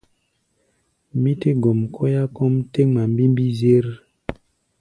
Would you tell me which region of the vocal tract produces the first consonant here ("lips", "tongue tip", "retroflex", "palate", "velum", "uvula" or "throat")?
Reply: lips